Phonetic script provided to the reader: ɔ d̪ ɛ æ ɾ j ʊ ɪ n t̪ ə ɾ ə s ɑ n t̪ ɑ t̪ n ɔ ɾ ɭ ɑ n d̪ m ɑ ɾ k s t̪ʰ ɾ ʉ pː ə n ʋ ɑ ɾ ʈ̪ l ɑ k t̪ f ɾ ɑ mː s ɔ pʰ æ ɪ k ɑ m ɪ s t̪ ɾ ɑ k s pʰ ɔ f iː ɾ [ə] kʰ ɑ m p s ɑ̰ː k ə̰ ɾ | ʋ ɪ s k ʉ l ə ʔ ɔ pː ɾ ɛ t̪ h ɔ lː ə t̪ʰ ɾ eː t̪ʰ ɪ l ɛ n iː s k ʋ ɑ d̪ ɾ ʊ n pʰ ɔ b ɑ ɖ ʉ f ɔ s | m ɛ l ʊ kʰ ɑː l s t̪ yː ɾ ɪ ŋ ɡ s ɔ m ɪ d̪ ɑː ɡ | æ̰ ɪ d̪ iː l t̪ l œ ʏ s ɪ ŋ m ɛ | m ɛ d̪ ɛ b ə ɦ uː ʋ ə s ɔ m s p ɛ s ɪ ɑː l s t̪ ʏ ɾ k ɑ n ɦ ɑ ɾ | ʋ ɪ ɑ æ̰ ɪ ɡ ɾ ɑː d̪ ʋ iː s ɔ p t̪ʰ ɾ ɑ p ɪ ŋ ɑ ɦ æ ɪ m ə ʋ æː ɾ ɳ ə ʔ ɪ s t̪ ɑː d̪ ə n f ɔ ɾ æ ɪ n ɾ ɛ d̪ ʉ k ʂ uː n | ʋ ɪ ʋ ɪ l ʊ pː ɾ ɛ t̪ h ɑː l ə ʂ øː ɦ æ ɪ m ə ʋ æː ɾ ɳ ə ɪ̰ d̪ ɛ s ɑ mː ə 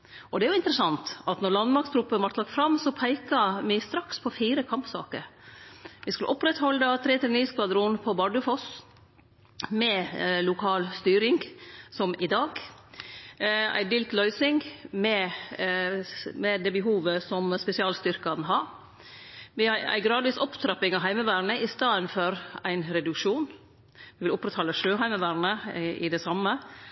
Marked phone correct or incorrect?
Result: correct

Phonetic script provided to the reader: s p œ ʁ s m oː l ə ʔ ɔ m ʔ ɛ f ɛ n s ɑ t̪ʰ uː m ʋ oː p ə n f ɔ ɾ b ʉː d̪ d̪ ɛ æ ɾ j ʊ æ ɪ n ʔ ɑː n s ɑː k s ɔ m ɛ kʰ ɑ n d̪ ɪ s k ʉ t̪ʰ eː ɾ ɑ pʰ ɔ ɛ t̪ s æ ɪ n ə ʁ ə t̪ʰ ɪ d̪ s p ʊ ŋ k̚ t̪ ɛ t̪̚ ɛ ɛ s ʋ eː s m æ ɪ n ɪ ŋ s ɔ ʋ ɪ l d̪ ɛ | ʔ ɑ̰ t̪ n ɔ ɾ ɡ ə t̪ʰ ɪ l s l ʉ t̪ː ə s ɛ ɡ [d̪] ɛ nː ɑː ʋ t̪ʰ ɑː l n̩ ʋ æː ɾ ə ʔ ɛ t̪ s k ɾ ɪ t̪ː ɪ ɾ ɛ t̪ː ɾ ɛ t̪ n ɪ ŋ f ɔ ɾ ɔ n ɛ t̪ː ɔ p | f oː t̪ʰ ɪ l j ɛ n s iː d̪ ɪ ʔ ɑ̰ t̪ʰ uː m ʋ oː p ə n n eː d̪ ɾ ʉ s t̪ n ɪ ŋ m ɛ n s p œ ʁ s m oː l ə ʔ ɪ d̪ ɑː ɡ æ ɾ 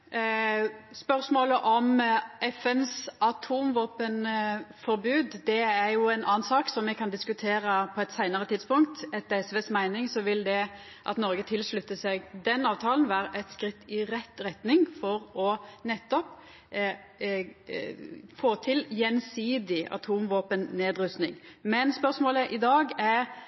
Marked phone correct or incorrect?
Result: correct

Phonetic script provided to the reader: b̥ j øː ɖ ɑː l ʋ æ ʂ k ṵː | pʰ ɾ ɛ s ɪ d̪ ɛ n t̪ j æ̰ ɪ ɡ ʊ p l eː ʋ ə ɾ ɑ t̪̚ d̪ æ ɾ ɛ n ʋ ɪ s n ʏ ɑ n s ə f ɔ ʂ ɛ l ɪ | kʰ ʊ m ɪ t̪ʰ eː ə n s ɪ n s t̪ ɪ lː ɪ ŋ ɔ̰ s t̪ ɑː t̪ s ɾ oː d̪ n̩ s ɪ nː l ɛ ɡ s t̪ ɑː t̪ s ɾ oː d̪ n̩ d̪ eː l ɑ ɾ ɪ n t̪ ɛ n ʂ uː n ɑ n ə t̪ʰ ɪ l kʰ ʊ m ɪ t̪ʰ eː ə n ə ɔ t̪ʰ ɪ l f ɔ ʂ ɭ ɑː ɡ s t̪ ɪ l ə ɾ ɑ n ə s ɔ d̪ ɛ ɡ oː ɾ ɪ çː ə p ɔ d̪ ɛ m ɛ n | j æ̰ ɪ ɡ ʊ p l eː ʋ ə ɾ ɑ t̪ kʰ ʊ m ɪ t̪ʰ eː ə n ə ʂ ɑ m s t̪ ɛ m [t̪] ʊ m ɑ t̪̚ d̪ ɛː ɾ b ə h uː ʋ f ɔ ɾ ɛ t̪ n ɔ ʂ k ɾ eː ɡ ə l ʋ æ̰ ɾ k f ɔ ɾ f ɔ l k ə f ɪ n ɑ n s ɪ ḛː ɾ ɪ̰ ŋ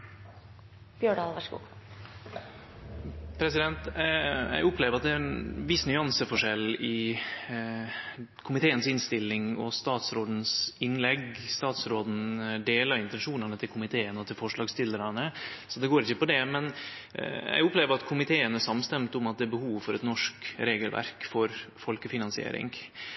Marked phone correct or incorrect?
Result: correct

